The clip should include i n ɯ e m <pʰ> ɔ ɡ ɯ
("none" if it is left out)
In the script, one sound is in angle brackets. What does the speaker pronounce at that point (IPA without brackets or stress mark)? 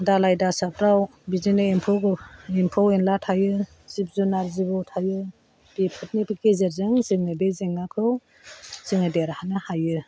pʰ